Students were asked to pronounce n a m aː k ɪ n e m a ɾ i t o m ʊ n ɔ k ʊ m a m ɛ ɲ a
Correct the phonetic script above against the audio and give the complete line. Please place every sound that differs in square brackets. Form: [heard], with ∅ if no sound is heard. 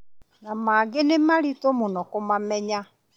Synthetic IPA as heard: n a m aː [ɡ] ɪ n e m a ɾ i t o m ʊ n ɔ k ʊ m a m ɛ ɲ a